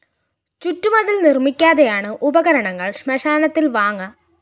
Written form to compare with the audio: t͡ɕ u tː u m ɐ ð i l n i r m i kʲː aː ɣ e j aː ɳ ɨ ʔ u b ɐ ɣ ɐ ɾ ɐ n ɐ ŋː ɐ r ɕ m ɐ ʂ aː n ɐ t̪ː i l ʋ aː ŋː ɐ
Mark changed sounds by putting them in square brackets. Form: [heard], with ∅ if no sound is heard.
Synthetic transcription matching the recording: t͡ɕ u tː u m ɐ ð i l n i r m i kʲː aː [ð] e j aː ɳ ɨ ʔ u b ɐ ɣ ɐ ɾ ɐ [ɳ] ɐ ŋː ɐ [ɭ] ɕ m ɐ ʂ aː n ɐ t̪ː i l ʋ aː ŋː ɐ